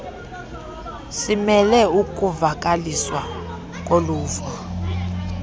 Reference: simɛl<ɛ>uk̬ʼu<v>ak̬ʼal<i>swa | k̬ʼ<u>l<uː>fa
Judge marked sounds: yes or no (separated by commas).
yes, yes, yes, no, yes